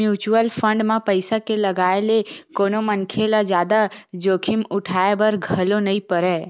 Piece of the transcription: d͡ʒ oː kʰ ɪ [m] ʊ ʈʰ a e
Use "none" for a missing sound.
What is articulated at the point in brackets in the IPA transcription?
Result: m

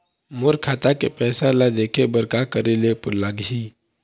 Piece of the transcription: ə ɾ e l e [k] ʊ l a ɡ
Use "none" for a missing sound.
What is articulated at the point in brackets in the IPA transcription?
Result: p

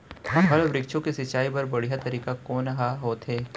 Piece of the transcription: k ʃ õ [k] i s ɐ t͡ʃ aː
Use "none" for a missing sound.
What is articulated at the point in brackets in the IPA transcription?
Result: k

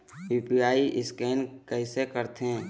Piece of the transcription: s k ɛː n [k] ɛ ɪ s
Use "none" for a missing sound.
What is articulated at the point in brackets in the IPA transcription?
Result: k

